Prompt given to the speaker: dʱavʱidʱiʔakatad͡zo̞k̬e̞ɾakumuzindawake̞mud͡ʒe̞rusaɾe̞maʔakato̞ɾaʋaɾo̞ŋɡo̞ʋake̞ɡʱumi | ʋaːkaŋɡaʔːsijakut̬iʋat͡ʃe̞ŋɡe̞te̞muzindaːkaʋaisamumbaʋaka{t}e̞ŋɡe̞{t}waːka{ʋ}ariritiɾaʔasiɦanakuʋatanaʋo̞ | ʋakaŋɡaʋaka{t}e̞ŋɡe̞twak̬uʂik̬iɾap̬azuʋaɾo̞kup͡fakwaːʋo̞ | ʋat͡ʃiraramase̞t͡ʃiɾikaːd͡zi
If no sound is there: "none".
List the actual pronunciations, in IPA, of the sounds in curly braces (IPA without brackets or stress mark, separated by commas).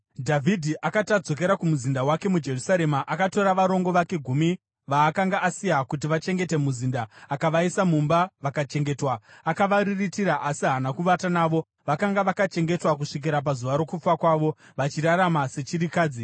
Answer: t͡ʃ, t, ʋ, t͡ʃ